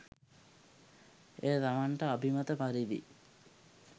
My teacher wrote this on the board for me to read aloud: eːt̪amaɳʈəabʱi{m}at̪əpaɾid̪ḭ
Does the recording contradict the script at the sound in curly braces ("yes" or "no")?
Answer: no